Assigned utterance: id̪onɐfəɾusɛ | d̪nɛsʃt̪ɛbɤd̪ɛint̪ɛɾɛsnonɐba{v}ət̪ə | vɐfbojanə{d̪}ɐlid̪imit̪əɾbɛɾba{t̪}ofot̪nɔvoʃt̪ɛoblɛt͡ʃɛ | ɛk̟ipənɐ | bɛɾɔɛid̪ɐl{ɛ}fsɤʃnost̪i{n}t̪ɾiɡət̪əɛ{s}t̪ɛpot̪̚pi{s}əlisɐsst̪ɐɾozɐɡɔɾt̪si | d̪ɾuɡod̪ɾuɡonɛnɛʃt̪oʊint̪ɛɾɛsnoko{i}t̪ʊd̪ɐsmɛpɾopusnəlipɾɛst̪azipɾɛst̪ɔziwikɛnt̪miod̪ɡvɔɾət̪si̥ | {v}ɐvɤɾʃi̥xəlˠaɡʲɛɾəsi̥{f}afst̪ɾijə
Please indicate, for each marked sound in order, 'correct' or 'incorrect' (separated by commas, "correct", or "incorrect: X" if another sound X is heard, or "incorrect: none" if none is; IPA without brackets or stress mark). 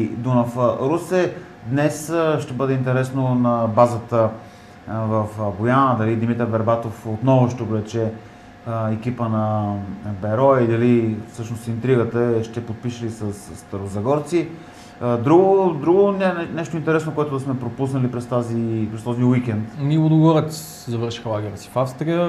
incorrect: z, correct, correct, incorrect: i, correct, incorrect: ʃ, incorrect: ʃ, incorrect: ɛ, incorrect: z, correct